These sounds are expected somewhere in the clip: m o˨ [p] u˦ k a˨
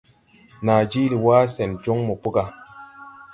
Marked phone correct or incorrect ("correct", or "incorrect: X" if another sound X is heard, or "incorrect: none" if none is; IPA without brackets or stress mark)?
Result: correct